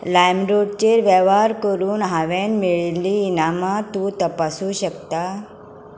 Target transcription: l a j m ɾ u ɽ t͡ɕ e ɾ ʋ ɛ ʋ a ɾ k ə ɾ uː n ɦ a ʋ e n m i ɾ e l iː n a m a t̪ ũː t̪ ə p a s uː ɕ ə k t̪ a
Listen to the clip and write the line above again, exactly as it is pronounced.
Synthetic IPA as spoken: l a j m ɾ o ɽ t͡ɕ e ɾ ʋ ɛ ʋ a ɾ k ə ɾ uː n ɦ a ʋ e n m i ɭ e l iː n a m a t̪ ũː t̪ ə p a s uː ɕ ə k t̪ a